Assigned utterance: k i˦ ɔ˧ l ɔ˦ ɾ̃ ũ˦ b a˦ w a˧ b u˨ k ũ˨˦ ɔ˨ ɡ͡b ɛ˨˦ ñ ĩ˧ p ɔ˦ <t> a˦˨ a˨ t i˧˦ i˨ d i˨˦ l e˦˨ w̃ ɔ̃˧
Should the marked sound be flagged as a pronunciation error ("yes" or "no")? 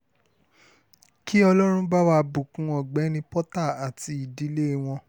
no